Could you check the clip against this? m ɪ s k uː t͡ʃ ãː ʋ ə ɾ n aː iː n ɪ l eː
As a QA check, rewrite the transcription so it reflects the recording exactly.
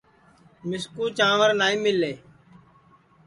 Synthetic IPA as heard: m ɪ s k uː t͡ʃ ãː ʋ ə ɾ n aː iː m ɪ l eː